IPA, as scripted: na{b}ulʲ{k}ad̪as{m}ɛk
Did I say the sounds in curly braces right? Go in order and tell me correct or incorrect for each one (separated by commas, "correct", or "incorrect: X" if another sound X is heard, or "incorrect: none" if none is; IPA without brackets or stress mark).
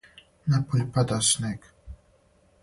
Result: incorrect: p, incorrect: p, incorrect: n